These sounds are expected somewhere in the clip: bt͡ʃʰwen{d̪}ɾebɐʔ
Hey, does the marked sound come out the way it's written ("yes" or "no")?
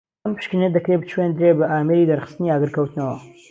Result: yes